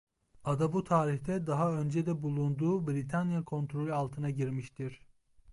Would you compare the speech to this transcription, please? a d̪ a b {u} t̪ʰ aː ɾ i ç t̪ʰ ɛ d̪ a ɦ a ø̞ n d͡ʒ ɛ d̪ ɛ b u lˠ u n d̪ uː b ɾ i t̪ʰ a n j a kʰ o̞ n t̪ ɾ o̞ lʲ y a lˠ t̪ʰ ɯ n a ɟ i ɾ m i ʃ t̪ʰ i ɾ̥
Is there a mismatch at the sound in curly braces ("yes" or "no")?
no